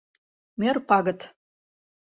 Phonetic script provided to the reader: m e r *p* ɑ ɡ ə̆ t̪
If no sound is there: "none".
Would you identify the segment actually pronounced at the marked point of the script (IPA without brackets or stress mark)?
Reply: p